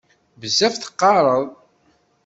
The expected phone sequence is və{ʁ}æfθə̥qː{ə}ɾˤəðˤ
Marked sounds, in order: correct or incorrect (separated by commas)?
incorrect, incorrect